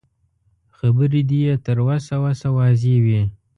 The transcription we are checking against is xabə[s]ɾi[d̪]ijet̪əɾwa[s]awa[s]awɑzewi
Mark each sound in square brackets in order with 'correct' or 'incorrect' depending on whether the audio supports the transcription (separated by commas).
incorrect, correct, correct, correct